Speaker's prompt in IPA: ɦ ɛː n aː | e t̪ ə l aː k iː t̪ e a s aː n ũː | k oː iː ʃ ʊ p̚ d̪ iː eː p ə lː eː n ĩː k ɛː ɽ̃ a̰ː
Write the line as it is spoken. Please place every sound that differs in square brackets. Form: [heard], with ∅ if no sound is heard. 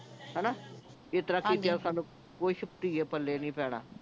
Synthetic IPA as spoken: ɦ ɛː n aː | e t̪ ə [ɾ] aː k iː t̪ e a s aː n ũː | k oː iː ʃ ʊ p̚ [t̪] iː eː p ə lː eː n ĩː [p] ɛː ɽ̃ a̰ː